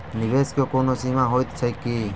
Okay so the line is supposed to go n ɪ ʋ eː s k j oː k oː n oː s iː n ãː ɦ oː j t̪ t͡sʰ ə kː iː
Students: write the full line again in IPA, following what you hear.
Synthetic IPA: n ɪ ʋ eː s k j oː k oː n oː s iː m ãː ɦ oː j t̪ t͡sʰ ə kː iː